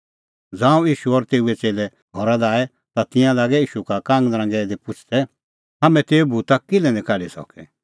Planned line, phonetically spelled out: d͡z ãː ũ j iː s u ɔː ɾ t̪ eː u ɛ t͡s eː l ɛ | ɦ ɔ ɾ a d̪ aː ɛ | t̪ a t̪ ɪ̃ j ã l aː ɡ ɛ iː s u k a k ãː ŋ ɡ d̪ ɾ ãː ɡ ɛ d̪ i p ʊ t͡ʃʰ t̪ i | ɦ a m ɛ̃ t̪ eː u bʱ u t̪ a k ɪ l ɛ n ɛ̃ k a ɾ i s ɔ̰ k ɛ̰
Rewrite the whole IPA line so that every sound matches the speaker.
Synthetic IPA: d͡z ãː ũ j iː ʃ u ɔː ɾ t̪ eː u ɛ t͡s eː l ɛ | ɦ ɔ ɾ a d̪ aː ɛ | t̪ a t̪ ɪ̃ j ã l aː ɡ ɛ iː ʃ u k a k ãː ŋ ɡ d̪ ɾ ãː ɡ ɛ d̪ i p ʊ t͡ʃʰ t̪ ɛ | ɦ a m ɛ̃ t̪ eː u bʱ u t̪ a k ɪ l ɛ n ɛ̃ k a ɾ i s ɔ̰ k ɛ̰